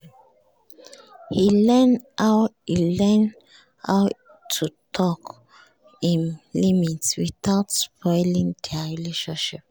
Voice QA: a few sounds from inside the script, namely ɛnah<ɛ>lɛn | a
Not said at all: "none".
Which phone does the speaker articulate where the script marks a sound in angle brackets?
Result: i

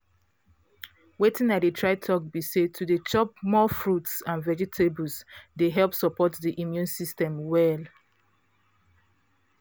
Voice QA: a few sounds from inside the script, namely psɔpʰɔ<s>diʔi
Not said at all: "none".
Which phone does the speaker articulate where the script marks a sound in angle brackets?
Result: t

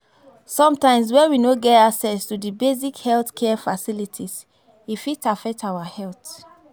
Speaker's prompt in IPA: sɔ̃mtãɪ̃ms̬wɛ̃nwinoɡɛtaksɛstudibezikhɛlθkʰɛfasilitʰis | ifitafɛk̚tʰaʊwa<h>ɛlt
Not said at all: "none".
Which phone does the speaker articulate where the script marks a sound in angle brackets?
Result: h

